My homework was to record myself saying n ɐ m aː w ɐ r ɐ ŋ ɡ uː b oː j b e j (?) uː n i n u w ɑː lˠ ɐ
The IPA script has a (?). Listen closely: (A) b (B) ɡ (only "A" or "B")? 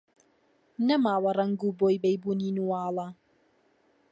A